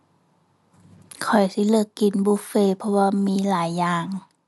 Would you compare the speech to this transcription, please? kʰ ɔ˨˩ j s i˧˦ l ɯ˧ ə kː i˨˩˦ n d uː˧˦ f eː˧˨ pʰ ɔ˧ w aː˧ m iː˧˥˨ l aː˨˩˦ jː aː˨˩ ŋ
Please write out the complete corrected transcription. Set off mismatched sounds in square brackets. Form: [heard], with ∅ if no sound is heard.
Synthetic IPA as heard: kʰ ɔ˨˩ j s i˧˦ l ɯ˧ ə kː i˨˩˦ n [b] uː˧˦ f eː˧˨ pʰ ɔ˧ w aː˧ m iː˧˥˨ l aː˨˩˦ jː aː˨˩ ŋ